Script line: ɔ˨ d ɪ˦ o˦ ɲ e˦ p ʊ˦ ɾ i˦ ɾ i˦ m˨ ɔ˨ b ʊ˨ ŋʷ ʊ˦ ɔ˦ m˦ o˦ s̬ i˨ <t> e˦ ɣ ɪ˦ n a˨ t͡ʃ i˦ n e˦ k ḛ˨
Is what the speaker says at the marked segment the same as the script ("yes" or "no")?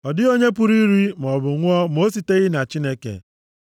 yes